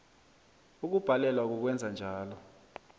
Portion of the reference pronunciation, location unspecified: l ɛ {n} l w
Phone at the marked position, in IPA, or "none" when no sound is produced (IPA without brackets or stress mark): none